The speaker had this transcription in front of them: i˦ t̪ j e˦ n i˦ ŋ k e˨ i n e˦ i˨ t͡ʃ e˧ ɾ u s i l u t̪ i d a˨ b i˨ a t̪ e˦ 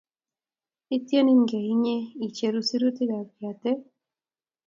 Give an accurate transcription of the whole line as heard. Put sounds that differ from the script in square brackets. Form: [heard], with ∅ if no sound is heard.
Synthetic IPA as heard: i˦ t̪ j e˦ n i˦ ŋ [ɡ] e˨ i [ɲ] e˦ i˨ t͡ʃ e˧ ɾ u s i [ɾ] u t̪ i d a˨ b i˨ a t̪ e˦